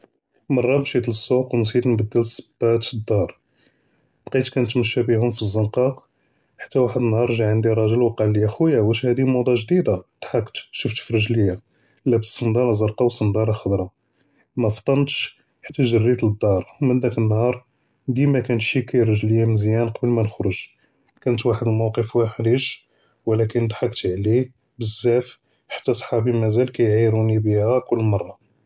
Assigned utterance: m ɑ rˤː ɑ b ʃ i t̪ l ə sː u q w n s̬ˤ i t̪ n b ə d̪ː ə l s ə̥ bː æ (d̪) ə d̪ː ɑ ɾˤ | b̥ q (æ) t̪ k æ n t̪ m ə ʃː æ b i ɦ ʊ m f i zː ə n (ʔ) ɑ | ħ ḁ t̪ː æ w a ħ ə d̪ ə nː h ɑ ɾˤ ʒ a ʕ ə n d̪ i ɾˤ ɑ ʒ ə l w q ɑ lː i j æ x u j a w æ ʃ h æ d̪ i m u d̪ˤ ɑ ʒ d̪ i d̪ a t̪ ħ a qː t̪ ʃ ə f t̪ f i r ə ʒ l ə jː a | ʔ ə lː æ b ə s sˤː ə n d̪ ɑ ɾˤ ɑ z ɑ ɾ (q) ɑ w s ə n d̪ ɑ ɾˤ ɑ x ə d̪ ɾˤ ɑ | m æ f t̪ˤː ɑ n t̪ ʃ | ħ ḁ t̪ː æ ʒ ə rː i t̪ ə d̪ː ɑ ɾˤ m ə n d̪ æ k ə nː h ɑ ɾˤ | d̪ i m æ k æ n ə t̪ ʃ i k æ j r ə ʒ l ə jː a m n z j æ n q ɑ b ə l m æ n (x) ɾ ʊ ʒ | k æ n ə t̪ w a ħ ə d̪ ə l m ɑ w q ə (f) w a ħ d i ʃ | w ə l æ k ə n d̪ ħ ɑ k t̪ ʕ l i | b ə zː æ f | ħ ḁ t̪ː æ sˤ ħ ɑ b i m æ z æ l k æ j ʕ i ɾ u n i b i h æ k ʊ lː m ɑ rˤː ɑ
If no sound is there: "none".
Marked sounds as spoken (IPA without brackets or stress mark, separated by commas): t̪, i, q, q, x, f